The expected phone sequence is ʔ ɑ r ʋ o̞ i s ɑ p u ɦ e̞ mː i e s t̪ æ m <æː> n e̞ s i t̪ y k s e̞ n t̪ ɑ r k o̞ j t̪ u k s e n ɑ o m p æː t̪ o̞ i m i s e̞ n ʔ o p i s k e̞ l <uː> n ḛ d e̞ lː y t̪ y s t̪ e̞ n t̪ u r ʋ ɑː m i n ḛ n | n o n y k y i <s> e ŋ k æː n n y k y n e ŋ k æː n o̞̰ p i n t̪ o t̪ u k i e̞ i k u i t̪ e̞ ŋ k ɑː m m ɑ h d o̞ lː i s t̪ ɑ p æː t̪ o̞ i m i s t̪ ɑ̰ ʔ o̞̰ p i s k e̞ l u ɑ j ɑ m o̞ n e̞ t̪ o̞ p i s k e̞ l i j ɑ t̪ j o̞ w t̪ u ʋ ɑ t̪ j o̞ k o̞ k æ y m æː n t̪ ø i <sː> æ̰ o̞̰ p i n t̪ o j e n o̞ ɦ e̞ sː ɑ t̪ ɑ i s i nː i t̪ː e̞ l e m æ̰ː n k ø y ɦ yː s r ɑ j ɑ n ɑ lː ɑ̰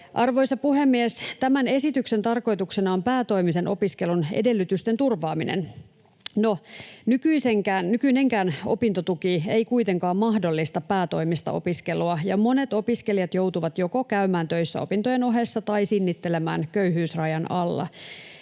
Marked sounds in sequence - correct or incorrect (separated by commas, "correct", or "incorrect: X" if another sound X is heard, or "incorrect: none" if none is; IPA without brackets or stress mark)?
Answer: incorrect: æ, incorrect: u, correct, correct